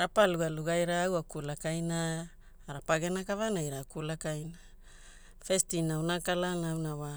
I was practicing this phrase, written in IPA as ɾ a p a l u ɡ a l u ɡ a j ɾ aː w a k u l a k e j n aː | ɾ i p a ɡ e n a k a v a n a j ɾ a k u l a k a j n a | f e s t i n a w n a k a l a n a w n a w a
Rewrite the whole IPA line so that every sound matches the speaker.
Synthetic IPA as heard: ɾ a p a l u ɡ a l u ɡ a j ɾ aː w a k u l a k a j n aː | ɾ a p a ɡ e n a k a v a n a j ɾ a k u l a k a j n a | f e s t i n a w n a k a l a n a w n a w a